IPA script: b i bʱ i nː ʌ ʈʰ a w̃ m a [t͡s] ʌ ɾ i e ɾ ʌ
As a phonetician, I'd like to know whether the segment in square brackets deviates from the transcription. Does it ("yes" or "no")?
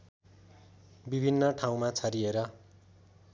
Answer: yes